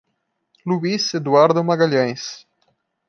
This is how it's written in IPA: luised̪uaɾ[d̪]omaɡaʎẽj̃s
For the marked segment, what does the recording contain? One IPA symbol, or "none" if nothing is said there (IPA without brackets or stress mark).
d̪